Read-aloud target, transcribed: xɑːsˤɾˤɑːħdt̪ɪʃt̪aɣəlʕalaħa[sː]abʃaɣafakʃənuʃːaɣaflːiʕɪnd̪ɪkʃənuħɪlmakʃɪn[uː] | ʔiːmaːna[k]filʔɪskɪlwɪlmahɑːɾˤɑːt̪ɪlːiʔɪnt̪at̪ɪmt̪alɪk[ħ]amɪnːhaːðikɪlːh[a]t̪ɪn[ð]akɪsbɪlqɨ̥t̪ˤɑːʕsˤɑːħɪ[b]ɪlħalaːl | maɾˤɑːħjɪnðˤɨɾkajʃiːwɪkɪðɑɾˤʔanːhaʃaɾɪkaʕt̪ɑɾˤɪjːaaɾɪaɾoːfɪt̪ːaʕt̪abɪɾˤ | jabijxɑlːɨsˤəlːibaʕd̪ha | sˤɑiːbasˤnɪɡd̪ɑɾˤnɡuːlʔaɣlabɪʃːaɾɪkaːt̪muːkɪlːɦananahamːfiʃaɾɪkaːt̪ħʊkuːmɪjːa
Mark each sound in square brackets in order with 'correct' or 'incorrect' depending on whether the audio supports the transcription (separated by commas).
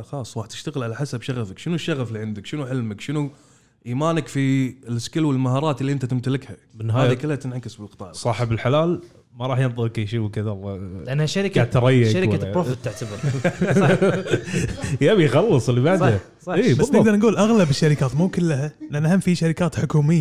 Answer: incorrect, incorrect, correct, incorrect, correct, incorrect, correct